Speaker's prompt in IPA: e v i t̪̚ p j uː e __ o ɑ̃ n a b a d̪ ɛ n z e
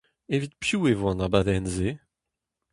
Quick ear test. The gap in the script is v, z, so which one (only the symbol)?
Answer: v